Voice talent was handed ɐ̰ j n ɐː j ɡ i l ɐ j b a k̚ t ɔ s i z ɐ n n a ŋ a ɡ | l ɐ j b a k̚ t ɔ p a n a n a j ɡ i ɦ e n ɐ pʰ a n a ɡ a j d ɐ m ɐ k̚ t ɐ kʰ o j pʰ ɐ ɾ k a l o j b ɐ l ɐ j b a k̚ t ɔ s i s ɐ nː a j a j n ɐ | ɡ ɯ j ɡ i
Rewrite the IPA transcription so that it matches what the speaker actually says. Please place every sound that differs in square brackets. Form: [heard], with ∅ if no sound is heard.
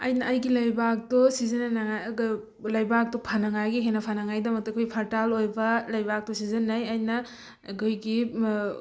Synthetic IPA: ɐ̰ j n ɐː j ɡ i l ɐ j b a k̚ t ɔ s i z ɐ n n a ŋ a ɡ | l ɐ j b a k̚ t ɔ [pʰ] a n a [ŋ] a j ɡ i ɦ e n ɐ pʰ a n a [ŋ] a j d ɐ m ɐ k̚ t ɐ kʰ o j pʰ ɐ ɾ [t] a l o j b ɐ l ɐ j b a k̚ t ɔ s i [z] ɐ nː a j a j n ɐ | ɡ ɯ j ɡ i